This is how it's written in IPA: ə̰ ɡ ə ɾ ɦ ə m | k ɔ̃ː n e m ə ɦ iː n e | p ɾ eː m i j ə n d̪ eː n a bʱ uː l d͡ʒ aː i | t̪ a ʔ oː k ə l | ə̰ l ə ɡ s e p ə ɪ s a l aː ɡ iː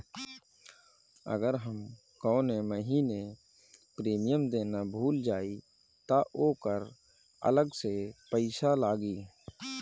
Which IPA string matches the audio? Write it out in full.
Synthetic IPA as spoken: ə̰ ɡ ə ɾ ɦ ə m | k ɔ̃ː n e m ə ɦ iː n e | p ɾ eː m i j ə m d̪ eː n a bʱ uː l d͡ʒ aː i | t̪ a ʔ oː k ə ɾ | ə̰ l ə ɡ s e p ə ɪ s a l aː ɡ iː